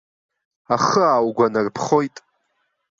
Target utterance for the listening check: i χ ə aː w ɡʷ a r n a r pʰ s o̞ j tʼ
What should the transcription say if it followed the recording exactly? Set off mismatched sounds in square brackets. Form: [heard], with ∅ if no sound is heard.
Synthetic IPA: [a] χ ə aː w ɡʷ a [∅] n a r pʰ [χ] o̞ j tʼ